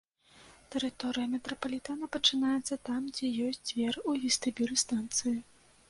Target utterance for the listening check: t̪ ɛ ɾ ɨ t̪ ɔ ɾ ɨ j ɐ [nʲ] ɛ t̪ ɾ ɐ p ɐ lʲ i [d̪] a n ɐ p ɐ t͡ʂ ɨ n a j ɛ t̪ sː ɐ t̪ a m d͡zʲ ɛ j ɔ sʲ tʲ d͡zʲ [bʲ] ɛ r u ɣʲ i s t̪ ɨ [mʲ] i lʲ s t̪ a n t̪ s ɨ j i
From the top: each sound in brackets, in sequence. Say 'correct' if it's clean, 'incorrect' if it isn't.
incorrect: mʲ, incorrect: t̪, incorrect: vʲ, incorrect: bʲ

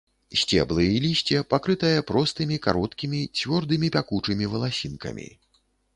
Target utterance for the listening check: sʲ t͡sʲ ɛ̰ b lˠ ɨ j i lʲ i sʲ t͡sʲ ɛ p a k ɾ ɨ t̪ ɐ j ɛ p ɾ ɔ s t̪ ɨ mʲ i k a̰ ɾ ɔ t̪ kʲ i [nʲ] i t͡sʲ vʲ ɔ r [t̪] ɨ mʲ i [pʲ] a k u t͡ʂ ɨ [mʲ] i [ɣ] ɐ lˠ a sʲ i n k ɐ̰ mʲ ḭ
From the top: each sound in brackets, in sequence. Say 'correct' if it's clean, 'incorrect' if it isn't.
incorrect: mʲ, incorrect: d̪, correct, correct, incorrect: v

